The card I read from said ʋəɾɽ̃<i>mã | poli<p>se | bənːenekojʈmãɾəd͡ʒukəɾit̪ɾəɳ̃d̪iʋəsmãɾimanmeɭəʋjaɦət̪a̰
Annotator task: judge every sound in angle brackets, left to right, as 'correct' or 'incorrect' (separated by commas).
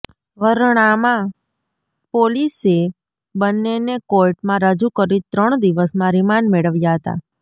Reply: incorrect, incorrect